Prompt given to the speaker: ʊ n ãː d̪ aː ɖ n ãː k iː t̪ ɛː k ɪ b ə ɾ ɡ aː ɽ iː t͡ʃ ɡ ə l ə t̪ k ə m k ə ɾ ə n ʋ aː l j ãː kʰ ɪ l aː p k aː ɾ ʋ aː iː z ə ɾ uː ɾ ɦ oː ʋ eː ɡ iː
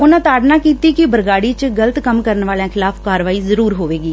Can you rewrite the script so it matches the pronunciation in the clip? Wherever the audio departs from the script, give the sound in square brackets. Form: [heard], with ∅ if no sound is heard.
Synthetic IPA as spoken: ʊ n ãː [t̪] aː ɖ n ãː k iː t̪ [iː] k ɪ b ə ɾ ɡ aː ɽ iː t͡ʃ ɡ ə l ə t̪ k ə m k ə ɾ ə n ʋ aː l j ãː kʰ ɪ l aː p k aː ɾ ʋ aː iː z ə ɾ uː ɾ ɦ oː ʋ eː ɡ iː